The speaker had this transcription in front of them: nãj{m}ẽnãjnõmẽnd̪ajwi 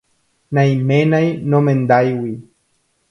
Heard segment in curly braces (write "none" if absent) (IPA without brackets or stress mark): m